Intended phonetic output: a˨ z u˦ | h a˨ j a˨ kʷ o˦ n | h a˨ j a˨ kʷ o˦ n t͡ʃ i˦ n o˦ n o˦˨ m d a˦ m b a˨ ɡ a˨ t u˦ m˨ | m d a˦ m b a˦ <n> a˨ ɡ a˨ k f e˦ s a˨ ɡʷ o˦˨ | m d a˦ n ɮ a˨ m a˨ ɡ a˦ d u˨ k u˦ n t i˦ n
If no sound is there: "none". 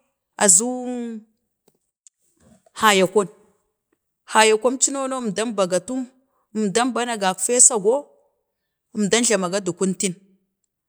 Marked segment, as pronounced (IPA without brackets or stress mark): n